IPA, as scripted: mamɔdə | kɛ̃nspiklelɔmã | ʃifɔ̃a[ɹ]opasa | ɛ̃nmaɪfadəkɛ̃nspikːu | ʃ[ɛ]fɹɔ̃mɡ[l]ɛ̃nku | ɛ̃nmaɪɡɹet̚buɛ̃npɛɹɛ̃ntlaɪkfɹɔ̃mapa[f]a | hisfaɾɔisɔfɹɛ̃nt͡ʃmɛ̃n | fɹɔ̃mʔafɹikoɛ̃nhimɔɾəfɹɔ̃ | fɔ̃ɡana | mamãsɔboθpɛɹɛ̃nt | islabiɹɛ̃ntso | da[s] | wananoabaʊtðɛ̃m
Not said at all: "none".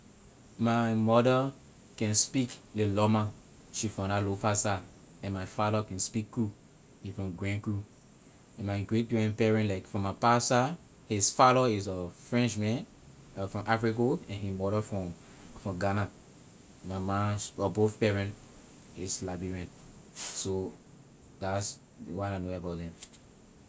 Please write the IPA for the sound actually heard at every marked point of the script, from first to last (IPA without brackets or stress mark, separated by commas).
l, i, ɹ, s, s